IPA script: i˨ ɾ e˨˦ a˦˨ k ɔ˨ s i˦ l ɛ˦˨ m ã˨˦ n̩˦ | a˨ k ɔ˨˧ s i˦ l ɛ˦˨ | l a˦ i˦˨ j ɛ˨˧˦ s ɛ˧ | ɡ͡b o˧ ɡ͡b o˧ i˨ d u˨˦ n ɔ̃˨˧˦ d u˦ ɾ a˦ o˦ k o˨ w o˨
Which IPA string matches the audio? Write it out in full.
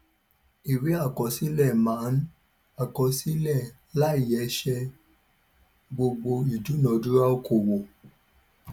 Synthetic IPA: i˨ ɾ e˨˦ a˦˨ k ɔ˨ s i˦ l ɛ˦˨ m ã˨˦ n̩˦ | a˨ k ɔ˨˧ s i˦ l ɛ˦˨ | l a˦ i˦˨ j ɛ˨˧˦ ʃ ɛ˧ | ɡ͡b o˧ ɡ͡b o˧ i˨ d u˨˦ n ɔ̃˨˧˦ d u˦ ɾ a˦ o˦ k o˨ w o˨